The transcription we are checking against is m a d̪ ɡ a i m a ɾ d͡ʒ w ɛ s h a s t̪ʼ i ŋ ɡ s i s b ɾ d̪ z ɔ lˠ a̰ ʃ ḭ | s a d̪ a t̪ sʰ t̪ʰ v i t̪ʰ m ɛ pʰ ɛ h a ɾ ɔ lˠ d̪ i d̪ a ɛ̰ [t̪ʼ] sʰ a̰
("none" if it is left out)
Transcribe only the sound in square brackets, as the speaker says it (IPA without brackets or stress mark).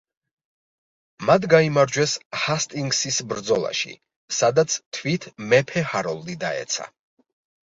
t̪